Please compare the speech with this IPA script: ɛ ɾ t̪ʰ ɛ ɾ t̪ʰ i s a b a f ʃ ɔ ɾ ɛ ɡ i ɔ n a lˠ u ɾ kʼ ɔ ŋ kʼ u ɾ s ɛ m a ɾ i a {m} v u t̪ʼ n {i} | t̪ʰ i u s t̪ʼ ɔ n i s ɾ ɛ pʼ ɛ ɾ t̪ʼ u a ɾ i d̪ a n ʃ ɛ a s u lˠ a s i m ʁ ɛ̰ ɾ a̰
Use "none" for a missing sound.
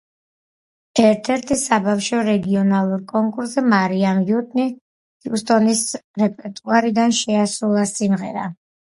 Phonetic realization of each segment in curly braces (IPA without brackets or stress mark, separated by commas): m, i